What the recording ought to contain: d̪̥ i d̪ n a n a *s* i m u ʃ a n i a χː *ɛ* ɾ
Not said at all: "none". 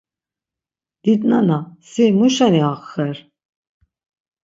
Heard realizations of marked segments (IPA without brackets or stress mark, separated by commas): s, ɛ